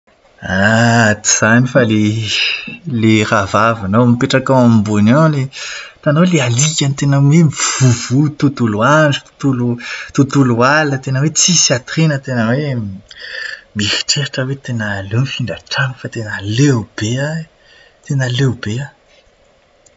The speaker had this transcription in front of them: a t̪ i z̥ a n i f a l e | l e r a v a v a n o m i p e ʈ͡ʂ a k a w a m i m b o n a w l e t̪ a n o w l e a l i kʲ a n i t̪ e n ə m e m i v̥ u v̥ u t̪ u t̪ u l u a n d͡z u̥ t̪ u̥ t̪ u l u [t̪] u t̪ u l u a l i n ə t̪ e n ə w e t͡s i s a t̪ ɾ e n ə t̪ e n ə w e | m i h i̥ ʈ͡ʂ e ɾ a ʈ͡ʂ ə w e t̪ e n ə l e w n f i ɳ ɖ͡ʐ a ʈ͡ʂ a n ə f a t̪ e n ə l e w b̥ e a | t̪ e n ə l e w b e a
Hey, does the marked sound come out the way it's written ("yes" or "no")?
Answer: yes